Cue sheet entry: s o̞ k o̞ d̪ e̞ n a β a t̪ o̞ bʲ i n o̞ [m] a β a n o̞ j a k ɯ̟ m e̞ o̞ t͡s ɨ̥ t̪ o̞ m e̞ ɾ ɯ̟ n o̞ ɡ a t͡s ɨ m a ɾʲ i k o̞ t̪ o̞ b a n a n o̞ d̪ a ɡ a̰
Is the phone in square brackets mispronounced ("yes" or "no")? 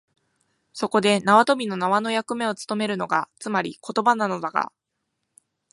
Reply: yes